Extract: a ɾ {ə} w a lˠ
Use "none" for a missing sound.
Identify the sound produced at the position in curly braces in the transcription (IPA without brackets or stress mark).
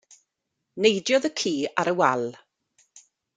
ə